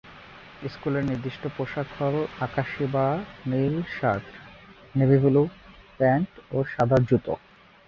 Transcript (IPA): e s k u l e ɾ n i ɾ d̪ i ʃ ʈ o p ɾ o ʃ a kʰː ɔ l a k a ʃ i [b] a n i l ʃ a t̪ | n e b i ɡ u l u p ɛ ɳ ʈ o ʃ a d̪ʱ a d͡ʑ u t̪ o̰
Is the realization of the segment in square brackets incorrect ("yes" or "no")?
no